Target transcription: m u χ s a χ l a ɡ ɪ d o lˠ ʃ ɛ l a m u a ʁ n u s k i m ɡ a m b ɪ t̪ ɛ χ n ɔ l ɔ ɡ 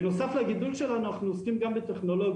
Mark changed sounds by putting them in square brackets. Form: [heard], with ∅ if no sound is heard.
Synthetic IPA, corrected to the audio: [n] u [∅] s a [f] l a ɡ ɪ d [u] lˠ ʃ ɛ l a [n] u a [χ] n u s k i m ɡ a m b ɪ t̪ ɛ χ n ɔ l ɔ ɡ